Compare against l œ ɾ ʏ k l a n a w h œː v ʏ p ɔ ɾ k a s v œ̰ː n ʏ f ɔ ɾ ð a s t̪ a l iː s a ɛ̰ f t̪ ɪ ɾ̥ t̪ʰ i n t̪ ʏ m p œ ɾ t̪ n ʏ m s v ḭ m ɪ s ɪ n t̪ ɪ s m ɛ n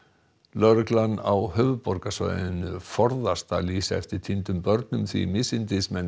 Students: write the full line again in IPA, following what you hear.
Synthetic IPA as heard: l œ ɾ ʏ k l a n a w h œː v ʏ p ɔ ɾ k a s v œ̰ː n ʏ f ɔ ɾ ð a s t̪ a l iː s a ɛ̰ f t̪ ɪ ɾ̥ t̪ʰ i n t̪ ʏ m p œ ɾ t̪ n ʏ m θ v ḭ m ɪ s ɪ n t̪ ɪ s m ɛ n